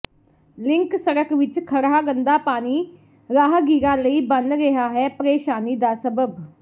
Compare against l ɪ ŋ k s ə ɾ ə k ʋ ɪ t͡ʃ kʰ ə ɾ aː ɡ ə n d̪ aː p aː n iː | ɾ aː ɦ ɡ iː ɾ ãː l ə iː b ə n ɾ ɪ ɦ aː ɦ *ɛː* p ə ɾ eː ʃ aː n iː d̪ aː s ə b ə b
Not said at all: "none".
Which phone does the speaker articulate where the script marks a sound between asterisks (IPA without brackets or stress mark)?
ɛː